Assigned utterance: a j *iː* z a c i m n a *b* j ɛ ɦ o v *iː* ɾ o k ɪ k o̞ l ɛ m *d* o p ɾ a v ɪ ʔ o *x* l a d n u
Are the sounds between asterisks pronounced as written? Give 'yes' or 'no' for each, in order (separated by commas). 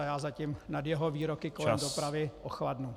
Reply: no, no, yes, yes, yes